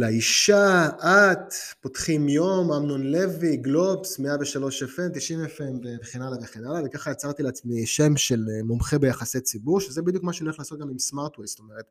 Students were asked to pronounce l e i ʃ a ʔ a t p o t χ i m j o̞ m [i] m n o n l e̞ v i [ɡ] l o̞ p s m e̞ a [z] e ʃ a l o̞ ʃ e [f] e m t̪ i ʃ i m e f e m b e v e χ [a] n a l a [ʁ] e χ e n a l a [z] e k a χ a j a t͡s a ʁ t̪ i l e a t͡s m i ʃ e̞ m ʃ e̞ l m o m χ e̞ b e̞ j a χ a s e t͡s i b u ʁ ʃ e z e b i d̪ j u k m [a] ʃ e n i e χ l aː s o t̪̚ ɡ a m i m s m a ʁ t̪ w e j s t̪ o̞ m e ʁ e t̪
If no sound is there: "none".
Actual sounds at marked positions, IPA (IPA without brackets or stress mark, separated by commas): a, ɡ, v, f, e, v, v, a